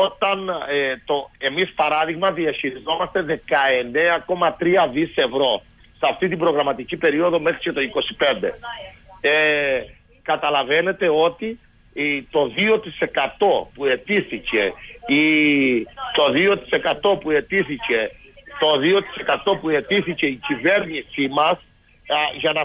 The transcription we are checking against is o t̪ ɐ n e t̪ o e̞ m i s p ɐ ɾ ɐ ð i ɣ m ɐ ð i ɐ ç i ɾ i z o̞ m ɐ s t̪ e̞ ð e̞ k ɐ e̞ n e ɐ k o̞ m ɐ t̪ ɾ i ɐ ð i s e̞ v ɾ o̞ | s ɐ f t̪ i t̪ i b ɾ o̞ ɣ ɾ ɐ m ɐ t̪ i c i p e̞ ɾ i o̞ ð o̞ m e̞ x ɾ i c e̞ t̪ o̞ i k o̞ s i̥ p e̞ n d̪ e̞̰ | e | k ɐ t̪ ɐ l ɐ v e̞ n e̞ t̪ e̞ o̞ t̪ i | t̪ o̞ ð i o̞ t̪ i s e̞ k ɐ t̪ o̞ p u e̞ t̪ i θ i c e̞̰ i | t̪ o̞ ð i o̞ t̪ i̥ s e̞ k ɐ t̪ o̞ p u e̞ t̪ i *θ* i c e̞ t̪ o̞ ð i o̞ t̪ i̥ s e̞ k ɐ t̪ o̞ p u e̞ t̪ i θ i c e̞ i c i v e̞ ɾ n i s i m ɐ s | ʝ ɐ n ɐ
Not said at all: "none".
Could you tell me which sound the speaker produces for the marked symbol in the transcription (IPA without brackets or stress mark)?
θ